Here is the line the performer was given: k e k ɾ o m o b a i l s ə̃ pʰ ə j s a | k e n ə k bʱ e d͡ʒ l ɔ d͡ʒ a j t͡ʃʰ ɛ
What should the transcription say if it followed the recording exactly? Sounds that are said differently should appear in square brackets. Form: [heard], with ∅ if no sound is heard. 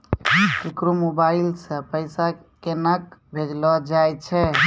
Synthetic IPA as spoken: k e k ɾ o m o b a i l s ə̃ [p] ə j s a | k e n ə k bʱ e d͡ʒ l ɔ d͡ʒ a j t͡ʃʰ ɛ